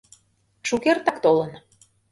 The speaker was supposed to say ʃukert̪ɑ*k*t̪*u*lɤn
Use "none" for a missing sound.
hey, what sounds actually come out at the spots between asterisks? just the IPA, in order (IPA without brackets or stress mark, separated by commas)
k, o